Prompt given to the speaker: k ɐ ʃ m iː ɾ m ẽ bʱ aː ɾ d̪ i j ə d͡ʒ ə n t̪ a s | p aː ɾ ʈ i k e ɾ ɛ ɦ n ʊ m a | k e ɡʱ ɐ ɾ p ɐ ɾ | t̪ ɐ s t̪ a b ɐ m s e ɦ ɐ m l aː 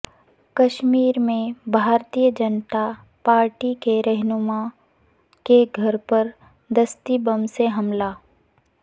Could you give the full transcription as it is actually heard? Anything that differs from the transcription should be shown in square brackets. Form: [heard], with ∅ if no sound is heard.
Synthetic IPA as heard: k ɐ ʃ m iː ɾ m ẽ bʱ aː ɾ [t̪] i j ə d͡ʒ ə n t̪ a [∅] | p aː ɾ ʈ i k e ɾ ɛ ɦ n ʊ m a | k e ɡʱ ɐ ɾ p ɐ ɾ | [d̪] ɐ s t̪ [i] b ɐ m s e ɦ ɐ m l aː

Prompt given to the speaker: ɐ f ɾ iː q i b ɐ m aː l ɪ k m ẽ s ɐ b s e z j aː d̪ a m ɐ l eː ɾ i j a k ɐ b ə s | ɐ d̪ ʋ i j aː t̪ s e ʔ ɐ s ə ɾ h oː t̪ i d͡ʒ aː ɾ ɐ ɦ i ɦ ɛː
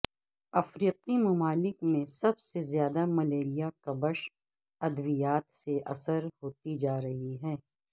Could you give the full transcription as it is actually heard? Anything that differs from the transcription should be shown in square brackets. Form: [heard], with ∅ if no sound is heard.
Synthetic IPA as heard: ɐ f ɾ iː q i [m] ɐ m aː l ɪ k m ẽ s ɐ b s e z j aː d̪ a m ɐ l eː ɾ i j a k ɐ b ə [ʃ] | ɐ d̪ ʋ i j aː t̪ s e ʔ ɐ s ə ɾ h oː t̪ i d͡ʒ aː ɾ ɐ ɦ i ɦ ɛː

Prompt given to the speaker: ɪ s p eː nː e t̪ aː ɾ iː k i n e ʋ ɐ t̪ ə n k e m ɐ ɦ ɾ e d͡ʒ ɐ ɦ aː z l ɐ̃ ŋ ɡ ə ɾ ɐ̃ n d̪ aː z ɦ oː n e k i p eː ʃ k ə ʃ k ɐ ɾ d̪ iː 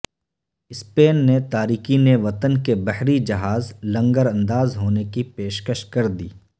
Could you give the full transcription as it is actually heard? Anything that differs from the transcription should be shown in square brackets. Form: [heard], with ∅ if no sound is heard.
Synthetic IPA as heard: ɪ s p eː nː e t̪ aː ɾ iː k i n e ʋ ɐ t̪ ə n k e [b] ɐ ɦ ɾ [i] d͡ʒ ɐ ɦ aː z l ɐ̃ ŋ ɡ ə ɾ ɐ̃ n d̪ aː z ɦ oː n e k i p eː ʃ k ə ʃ k ɐ ɾ d̪ iː

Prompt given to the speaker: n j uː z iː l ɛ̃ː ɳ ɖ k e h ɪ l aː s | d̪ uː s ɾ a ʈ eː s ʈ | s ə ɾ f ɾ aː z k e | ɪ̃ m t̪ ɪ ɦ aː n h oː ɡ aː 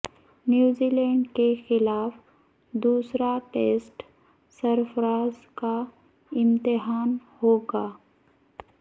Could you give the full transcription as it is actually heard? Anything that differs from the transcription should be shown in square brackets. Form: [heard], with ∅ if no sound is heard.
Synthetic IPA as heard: n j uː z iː l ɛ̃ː ɳ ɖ k e [x] ɪ l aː [f] | d̪ uː s ɾ a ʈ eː s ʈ | s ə ɾ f ɾ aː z k [a] | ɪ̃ m t̪ ɪ ɦ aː n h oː ɡ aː

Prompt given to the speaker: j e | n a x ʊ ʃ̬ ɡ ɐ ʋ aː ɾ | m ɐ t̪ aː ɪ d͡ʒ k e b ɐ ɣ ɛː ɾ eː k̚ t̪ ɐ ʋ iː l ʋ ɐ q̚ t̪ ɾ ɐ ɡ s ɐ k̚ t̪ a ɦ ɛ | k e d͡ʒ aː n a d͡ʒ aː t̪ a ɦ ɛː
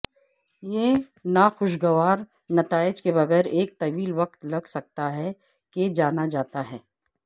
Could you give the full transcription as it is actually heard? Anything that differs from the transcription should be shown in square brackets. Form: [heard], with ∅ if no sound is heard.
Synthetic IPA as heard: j e | n a x ʊ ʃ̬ ɡ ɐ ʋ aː ɾ | [n] ɐ t̪ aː ɪ d͡ʒ k e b ɐ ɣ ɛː ɾ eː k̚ t̪ ɐ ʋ iː l ʋ ɐ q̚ t̪ [l] ɐ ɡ s ɐ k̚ t̪ a ɦ ɛ | k e d͡ʒ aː n a d͡ʒ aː t̪ a ɦ ɛː

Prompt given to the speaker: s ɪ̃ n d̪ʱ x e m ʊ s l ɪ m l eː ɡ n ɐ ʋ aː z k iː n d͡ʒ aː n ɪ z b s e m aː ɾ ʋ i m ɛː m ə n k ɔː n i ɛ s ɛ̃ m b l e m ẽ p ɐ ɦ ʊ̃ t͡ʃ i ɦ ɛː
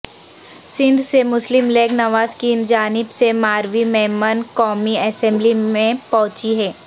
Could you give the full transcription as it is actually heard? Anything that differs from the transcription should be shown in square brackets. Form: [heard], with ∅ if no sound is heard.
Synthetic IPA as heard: s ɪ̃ n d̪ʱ [s] e m ʊ s l ɪ m l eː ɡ n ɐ ʋ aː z k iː n d͡ʒ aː n ɪ [∅] b s e m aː ɾ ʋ i m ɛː m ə n k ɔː [m] i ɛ s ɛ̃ m b l [i] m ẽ p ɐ ɦ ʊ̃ t͡ʃ i ɦ ɛː

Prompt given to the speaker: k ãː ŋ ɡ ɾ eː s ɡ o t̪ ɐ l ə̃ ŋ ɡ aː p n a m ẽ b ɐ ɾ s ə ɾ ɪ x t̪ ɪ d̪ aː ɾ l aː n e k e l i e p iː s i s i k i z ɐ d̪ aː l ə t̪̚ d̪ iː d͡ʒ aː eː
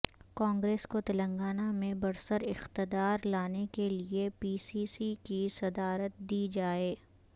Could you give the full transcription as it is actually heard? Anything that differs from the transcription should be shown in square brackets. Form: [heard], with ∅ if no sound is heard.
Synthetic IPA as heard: k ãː ŋ ɡ ɾ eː s [k] o t̪ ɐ l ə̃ ŋ ɡ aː [∅] n a m ẽ b ɐ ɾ s ə ɾ ɪ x t̪ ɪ d̪ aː ɾ l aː n e k e l i e p iː s i s i k i [s] ɐ d̪ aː [ɾ] ə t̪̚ d̪ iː d͡ʒ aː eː

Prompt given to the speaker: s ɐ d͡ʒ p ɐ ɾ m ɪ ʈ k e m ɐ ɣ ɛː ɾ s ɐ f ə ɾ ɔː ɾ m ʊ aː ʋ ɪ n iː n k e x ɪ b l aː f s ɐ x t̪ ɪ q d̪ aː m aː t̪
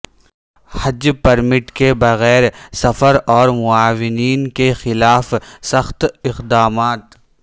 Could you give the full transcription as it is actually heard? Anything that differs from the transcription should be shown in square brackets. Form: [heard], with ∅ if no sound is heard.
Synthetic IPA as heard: [h] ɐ d͡ʒ p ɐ ɾ m ɪ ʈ k e [b] ɐ ɣ ɛː ɾ s ɐ f ə ɾ ɔː ɾ m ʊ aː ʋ ɪ n iː n k e x ɪ [∅] l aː f s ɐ x t̪ ɪ q d̪ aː m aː t̪

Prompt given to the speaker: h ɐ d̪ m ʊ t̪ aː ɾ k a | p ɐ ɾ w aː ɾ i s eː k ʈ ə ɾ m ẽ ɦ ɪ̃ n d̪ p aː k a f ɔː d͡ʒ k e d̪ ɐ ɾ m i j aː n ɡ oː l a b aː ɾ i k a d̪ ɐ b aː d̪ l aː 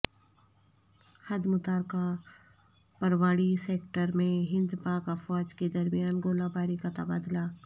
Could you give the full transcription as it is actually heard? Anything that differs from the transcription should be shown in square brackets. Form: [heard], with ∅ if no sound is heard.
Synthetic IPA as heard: h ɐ d̪ m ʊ t̪ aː ɾ k a | p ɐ ɾ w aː [ɽ] i s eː k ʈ ə ɾ m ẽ ɦ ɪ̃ n d̪ p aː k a f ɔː d͡ʒ k e d̪ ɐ ɾ m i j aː n ɡ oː l a b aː ɾ i k a [t̪] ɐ b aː d̪ l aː

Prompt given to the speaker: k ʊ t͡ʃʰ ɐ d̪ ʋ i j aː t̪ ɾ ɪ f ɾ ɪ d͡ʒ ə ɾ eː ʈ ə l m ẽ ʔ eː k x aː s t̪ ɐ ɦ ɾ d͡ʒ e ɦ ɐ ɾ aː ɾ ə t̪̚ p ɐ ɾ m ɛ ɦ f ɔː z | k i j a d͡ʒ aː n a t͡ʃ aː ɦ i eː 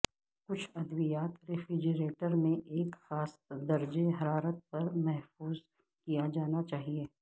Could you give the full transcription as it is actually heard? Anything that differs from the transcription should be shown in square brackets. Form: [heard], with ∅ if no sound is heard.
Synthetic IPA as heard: k ʊ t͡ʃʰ ɐ d̪ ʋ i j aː t̪ ɾ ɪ f ɾ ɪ d͡ʒ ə ɾ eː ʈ ə [ɾ] m ẽ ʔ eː k x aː s [d̪] ɐ [∅] ɾ d͡ʒ e ɦ ɐ ɾ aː ɾ ə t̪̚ p ɐ ɾ m ɛ ɦ f [uː] z | k i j a d͡ʒ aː n a t͡ʃ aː ɦ i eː

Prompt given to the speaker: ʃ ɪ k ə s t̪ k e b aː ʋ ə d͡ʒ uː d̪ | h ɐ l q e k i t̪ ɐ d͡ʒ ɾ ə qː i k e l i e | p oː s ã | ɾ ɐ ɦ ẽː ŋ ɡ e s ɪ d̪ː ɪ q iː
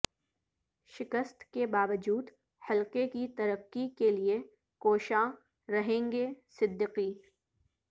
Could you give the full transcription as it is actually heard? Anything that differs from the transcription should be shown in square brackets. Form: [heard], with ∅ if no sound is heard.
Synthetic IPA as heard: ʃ ɪ k ə s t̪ k e b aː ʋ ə d͡ʒ uː d̪ | h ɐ l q e k i t̪ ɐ [∅] ɾ ə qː i k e l i e | [k] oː [ʃ] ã | ɾ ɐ ɦ ẽː ŋ ɡ e s ɪ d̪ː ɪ q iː

